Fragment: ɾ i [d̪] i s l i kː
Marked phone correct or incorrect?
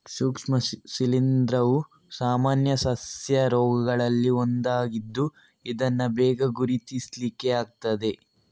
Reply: incorrect